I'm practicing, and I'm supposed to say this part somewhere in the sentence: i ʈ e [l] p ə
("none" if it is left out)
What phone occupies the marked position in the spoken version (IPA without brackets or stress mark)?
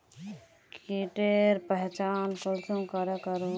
ɾ